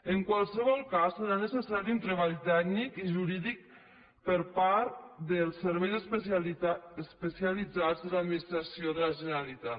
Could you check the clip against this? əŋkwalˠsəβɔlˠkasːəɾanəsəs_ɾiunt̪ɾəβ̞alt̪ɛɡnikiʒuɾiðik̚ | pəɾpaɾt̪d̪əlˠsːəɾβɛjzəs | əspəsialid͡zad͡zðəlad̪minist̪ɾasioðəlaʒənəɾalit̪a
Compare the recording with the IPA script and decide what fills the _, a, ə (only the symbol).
a